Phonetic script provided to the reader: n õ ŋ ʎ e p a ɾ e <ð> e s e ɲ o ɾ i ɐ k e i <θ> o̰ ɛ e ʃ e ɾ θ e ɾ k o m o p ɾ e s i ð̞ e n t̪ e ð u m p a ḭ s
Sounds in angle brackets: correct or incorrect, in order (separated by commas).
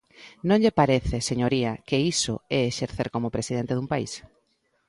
incorrect, incorrect